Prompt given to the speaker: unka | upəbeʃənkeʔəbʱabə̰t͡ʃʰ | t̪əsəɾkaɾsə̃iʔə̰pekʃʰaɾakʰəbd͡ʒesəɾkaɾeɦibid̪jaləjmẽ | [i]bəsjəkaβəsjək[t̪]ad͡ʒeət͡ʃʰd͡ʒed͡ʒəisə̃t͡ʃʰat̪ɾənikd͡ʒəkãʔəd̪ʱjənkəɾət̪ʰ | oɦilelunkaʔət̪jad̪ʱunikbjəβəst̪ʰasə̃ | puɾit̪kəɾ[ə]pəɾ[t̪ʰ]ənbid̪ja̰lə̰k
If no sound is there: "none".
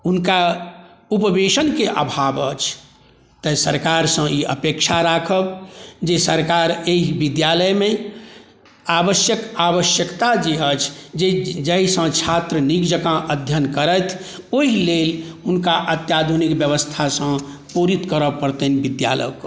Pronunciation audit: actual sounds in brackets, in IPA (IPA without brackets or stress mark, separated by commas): a, t̪, ə, t̪